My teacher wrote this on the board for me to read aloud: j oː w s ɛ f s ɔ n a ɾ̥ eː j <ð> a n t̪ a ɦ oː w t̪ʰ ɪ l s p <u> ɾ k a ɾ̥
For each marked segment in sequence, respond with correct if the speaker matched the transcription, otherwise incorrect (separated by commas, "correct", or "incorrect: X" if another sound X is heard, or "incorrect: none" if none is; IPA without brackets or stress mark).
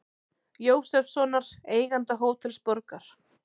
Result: incorrect: ɣ, incorrect: ɔ